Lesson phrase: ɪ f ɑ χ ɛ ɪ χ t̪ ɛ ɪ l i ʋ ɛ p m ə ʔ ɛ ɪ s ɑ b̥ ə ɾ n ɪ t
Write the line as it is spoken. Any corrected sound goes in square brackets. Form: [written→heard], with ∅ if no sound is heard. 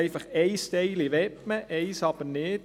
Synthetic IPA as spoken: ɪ f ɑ χ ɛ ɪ [χ→s] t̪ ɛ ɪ l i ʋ ɛ p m ə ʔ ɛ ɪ s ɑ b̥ ə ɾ n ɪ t